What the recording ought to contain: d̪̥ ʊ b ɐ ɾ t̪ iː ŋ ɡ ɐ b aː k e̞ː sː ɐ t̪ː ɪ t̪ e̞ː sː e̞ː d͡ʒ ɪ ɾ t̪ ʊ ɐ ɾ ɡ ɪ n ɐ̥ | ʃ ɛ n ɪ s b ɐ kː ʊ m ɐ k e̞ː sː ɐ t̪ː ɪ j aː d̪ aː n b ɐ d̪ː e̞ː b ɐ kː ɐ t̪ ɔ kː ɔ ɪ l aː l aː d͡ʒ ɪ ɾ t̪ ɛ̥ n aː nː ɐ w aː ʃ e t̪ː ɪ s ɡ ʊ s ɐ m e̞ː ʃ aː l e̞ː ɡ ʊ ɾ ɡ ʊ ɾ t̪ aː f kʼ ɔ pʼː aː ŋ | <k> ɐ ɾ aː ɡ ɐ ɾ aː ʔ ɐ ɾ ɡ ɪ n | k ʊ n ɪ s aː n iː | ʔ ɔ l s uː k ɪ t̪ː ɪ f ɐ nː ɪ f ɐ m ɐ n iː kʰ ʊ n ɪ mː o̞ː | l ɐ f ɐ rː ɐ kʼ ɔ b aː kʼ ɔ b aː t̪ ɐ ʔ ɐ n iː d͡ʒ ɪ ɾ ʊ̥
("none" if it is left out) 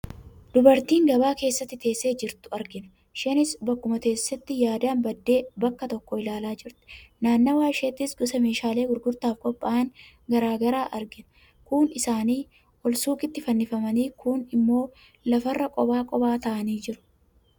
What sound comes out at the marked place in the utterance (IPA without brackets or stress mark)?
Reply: ɡ